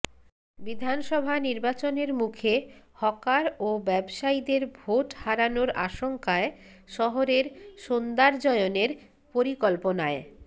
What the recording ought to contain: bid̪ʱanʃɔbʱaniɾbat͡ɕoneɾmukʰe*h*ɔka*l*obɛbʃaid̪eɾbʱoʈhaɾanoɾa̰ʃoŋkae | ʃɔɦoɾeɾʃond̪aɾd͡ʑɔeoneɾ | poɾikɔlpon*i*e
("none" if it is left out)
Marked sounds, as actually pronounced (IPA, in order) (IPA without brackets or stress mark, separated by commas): h, ɾ, a